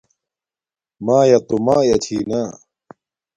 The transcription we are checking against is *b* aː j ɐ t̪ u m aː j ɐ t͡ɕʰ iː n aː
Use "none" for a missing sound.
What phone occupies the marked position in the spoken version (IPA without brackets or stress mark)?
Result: m